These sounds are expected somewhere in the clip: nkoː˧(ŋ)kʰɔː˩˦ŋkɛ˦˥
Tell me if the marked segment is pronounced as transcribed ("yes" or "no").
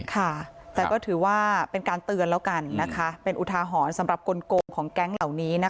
yes